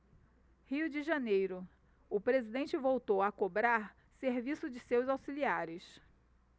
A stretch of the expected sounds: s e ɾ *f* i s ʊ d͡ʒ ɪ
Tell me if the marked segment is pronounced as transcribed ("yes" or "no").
no